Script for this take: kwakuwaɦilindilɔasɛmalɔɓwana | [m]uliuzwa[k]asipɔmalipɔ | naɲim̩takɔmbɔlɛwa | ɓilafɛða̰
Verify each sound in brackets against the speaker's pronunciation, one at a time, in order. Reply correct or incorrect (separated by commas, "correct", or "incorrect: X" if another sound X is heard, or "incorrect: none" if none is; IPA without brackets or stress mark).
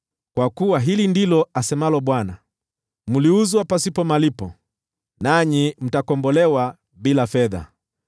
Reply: correct, incorrect: p